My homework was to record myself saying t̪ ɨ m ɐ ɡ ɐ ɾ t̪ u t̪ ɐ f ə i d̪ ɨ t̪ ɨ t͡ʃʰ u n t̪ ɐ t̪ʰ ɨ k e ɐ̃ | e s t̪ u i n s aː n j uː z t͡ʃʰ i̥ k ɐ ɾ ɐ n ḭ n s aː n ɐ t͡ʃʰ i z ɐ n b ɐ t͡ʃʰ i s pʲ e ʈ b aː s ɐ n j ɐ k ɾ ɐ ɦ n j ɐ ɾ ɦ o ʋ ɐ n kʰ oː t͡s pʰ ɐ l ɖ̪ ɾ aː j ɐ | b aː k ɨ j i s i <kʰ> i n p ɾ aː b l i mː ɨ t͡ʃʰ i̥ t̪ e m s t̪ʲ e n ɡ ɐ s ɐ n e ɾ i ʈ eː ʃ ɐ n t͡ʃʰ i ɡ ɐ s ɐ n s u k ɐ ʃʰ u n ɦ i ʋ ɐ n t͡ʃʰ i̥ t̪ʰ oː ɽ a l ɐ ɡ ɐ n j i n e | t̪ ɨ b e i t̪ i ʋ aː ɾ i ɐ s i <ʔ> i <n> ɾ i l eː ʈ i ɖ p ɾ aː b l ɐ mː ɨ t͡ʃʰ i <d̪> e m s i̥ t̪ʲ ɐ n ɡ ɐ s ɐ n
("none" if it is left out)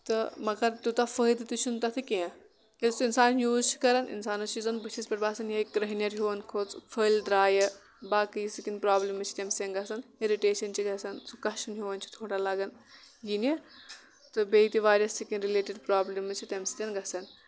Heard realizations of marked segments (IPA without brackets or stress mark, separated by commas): k, k, n, t̪